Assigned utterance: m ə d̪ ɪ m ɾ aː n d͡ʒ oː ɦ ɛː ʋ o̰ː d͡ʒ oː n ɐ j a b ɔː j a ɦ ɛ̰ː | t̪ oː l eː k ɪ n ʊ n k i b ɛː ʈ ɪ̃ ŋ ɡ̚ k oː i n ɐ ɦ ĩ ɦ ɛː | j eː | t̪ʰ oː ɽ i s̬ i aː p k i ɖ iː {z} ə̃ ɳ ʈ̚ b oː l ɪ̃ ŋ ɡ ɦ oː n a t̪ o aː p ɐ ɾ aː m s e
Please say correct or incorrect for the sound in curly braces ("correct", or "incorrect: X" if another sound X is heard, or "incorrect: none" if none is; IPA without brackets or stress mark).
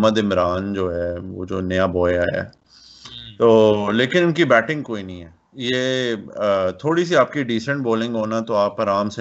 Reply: incorrect: s